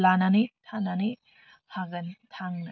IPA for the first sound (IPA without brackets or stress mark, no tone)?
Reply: l